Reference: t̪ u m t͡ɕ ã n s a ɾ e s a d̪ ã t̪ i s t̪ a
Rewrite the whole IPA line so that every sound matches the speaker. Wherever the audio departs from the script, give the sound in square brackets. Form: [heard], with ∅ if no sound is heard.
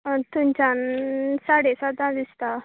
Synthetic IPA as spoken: t̪ u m t͡ɕ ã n s a [ɽ] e s a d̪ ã [d̪] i s t̪ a